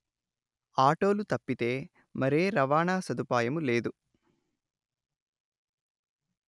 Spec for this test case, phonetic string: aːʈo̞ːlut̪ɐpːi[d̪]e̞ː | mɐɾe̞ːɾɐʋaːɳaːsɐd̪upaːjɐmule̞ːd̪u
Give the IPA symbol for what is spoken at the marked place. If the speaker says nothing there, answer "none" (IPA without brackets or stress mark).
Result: t̪